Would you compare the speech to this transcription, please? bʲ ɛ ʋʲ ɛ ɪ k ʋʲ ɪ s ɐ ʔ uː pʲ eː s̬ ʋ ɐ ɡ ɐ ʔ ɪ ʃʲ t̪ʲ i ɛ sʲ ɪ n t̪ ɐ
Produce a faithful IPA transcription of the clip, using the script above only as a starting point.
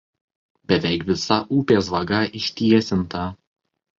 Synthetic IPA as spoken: bʲ ɛ ʋʲ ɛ ɪ k ʋʲ ɪ s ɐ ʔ uː pʲ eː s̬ ʋ ɐ ɡ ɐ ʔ ɪ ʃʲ t̪ʲ i ɛ sʲ ɪ n t̪ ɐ